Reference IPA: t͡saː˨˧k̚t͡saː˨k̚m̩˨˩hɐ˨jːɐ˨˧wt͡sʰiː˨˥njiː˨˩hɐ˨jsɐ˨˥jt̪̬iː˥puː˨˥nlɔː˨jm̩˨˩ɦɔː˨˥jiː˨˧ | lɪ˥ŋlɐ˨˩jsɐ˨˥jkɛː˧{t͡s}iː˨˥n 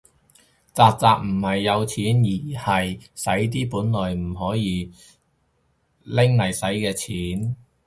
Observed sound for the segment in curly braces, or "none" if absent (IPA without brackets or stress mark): t͡sʰ